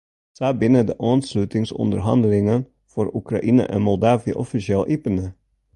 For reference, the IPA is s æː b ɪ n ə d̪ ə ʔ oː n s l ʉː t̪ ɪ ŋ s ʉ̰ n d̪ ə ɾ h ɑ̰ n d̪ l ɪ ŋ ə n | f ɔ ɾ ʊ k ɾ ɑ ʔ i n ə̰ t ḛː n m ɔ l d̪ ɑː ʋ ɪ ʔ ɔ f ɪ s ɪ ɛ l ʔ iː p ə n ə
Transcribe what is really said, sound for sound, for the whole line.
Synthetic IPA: s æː b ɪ n ə d̪ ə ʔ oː n s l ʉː t̪ ɪ ŋ s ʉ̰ n d̪ ə ɾ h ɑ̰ n d̪ l ɪ ŋ ə n | f ɔ ɾ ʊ k ɾ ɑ ʔ iː n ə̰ ʔ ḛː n m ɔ l d̪ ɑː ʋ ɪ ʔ ɔ f ɪ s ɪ ɛ l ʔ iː p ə n ə